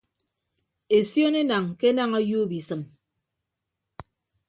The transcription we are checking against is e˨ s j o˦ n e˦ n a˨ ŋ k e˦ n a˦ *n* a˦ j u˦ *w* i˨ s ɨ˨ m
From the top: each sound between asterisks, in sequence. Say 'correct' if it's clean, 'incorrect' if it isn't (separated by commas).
incorrect, incorrect